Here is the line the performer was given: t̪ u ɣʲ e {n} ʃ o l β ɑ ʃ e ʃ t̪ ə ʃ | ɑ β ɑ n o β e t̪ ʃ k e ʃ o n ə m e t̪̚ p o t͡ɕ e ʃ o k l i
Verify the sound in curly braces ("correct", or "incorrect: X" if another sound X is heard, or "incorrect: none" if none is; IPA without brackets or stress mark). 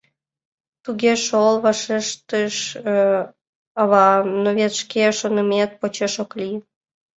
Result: incorrect: none